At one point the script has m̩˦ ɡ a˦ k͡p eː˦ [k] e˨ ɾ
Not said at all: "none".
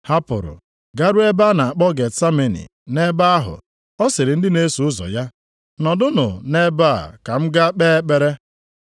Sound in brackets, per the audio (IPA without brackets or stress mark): k͡p